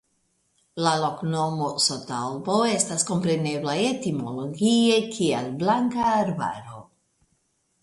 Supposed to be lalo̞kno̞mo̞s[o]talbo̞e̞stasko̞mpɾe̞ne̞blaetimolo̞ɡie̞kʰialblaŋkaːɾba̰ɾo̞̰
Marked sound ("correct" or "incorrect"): correct